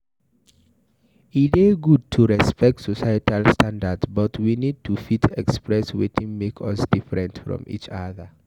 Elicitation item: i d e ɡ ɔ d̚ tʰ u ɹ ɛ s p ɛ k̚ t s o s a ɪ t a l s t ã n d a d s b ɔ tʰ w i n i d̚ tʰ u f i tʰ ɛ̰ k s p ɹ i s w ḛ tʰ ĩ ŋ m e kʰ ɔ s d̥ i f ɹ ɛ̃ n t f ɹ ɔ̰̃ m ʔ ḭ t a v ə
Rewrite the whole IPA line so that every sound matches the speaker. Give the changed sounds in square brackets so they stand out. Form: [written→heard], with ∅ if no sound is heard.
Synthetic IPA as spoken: i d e ɡ [ɔ→u] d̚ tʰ u ɹ ɛ s p ɛ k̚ t s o s a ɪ t a l s t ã n d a d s b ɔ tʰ w i n i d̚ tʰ u f i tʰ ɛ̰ k s p ɹ [i→ɛ] s w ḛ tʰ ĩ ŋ m e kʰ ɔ s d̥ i f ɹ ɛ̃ n t f ɹ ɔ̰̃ m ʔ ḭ [t→t͡ʃ] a [v→ð] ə